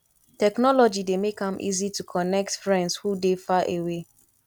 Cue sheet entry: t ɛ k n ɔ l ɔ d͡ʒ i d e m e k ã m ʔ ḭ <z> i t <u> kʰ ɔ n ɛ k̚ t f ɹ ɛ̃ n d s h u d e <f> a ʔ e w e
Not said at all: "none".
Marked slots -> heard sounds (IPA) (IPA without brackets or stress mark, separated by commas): z, u, f